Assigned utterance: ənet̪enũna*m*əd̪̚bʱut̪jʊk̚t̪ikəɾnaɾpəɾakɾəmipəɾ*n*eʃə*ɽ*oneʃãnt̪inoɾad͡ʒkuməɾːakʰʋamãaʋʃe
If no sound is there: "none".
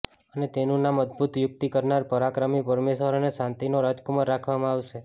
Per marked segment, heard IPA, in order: m, m, ɾ

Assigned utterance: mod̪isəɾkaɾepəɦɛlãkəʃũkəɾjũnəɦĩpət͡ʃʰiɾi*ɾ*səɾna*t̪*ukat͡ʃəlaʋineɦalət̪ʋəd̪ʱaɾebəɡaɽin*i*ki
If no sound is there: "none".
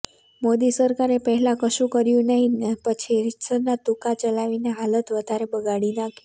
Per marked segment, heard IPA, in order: none, t̪, a

